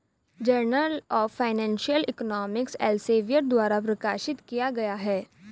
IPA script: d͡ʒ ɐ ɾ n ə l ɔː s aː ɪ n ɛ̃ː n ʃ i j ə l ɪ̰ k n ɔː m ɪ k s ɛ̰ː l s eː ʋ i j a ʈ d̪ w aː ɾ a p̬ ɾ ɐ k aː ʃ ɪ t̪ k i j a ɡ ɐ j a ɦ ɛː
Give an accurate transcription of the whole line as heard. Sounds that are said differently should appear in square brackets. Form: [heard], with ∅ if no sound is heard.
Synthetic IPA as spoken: d͡ʒ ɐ ɾ n ə l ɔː [f] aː ɪ n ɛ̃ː n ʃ i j ə l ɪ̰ k n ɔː m ɪ k s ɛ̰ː l s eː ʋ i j [ə] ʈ d̪ w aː ɾ a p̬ ɾ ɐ k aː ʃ ɪ t̪ k i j a ɡ ɐ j a ɦ ɛː